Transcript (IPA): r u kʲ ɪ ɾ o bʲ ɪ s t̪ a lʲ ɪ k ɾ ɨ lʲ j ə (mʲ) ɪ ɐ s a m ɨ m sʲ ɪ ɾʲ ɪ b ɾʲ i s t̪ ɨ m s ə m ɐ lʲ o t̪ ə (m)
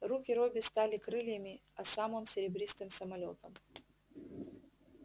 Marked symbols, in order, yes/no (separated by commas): yes, yes